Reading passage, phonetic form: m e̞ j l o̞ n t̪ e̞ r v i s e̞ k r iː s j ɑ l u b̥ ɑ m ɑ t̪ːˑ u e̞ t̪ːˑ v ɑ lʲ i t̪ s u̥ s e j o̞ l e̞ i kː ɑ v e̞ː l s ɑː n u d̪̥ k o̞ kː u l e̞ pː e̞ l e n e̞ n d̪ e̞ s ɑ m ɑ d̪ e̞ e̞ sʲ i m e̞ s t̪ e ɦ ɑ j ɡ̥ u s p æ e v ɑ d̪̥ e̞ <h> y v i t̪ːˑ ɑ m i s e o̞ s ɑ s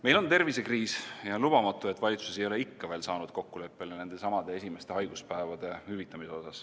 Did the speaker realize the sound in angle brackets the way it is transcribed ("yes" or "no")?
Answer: yes